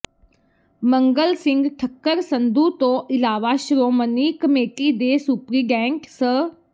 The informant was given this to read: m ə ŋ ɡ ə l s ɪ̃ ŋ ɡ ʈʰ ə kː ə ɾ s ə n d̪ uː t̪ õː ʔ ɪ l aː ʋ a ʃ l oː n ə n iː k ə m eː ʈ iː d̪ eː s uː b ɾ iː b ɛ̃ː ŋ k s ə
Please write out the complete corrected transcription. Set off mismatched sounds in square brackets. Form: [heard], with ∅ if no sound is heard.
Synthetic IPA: m ə ŋ ɡ ə l s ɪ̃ ŋ ɡ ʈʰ ə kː ə ɾ s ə n d̪ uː t̪ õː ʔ ɪ l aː ʋ a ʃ [ɾ] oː [m] ə n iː k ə m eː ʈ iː d̪ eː s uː [p] ɾ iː [ɡ] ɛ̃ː ŋ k s ə